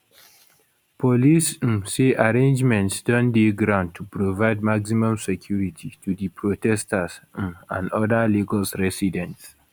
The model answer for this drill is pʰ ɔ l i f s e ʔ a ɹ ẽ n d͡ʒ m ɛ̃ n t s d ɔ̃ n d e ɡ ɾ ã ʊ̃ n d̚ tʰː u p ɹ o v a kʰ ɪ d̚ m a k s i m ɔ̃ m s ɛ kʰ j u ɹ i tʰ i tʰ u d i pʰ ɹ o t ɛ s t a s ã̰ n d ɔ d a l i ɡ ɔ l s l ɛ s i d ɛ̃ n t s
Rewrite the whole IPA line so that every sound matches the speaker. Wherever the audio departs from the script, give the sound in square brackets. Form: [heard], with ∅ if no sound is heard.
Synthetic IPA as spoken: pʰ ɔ l i [s] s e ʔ a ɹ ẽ n d͡ʒ m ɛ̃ n t s d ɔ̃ n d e ɡ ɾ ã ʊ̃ n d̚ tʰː u p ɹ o v a [∅] ɪ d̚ m a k s i m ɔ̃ m s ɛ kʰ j u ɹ i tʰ i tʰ u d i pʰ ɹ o t ɛ s t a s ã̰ n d ɔ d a l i ɡ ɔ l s [ɹ] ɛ s i d ɛ̃ n t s